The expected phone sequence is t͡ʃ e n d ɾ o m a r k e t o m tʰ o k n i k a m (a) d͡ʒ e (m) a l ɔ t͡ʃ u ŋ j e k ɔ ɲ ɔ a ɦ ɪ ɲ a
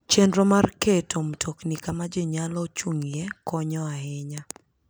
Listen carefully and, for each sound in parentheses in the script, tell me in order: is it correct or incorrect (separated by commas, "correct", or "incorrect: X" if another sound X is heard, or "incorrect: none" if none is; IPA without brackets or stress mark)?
correct, incorrect: ɲ